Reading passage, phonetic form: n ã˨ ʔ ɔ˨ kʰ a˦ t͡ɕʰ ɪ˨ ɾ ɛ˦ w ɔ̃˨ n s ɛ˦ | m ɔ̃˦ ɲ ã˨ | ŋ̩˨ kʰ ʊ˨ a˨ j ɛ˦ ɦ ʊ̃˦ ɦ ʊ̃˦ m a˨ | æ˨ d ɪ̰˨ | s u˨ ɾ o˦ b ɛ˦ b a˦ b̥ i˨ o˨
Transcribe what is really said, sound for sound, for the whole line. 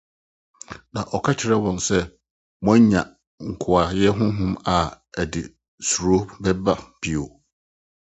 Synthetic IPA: n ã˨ ʔ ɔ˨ kʰ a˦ t͡ɕʰ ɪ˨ ɾ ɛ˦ w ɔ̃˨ n s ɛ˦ | m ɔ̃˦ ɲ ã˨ | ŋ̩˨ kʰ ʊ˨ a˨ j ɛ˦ ɦ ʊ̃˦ ɦ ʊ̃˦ m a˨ | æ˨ d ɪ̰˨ | s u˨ ɾ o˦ b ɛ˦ b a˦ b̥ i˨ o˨